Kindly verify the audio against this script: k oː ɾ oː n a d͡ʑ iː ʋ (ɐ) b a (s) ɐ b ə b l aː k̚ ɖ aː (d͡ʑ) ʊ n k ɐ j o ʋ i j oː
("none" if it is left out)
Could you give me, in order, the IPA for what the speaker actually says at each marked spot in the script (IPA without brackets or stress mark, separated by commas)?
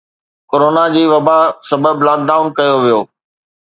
ɐ, s, none